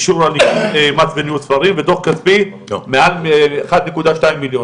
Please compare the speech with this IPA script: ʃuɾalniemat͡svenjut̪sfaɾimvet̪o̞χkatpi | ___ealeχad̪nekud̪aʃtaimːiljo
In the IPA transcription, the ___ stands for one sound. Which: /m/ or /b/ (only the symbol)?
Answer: m